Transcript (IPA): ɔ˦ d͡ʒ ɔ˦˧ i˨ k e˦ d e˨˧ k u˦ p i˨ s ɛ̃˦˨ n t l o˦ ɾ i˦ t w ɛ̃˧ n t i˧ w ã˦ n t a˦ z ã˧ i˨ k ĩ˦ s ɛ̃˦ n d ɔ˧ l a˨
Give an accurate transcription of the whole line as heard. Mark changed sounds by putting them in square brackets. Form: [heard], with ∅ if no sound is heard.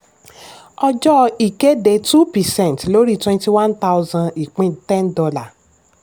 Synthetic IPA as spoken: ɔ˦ d͡ʒ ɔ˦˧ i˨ k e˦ d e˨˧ [t] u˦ p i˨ s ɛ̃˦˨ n t l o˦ ɾ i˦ t w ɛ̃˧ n t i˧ w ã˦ n t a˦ z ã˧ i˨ [k͡p] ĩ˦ [t] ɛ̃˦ n d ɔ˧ l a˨